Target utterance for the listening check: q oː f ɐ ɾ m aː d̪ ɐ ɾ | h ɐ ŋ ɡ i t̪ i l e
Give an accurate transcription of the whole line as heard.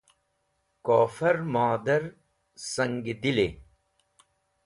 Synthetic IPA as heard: k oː f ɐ ɾ m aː d̪ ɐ ɾ | s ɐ ŋ ɡ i d̪ i l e